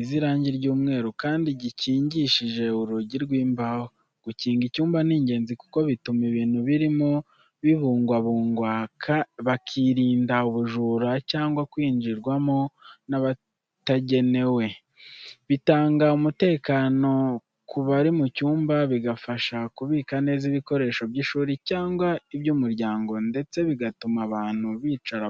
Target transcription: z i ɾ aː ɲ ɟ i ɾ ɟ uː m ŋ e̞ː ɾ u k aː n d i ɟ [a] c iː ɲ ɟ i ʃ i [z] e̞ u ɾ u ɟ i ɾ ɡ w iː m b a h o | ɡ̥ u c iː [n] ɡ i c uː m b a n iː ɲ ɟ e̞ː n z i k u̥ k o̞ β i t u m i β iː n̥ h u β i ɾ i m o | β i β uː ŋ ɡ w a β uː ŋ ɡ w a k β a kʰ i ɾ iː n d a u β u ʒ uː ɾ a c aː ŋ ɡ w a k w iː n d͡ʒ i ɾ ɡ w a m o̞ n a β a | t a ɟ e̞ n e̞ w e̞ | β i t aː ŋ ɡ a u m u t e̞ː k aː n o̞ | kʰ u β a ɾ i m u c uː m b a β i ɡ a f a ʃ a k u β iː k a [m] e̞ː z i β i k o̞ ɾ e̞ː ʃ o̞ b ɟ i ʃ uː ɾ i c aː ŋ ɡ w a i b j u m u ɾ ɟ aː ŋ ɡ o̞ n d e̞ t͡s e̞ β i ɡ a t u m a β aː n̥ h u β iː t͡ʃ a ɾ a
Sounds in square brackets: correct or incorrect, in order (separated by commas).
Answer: incorrect, incorrect, incorrect, incorrect